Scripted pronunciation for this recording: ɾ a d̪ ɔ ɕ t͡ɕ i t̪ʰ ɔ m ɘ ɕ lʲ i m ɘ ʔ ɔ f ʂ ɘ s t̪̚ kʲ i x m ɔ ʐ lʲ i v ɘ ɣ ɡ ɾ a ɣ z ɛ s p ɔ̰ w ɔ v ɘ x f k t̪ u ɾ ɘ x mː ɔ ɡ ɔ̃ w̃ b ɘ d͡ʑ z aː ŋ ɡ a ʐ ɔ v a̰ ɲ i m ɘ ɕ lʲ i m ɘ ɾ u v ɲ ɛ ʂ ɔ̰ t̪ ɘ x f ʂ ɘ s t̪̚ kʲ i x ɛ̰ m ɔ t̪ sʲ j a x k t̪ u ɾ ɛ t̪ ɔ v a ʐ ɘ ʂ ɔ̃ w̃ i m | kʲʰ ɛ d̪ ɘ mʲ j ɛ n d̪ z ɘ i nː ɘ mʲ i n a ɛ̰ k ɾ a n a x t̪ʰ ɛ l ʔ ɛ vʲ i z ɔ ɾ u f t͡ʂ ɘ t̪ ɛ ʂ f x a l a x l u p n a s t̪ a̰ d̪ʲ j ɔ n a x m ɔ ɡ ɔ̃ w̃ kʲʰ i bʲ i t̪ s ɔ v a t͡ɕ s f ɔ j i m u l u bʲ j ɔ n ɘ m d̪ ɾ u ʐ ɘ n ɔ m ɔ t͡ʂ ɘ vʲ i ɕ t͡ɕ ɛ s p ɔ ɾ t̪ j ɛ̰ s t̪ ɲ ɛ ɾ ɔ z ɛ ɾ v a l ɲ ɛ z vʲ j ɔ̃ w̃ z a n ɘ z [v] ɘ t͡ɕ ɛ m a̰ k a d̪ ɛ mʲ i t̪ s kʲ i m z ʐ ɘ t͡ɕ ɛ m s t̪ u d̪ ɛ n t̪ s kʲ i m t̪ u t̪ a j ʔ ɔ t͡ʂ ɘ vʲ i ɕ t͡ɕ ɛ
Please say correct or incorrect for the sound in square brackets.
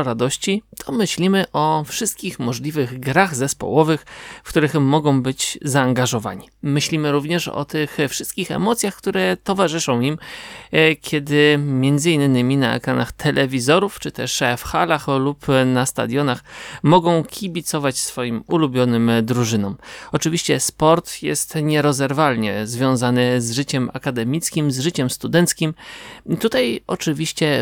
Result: incorrect